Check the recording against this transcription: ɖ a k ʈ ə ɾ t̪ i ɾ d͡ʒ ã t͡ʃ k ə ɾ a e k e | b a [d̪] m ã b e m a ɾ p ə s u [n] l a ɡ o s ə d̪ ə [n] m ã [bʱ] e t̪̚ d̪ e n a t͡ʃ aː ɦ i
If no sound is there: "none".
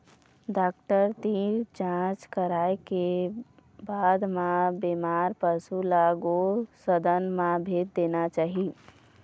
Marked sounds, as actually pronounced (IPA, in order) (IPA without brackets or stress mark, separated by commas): d̪, none, n, bʱ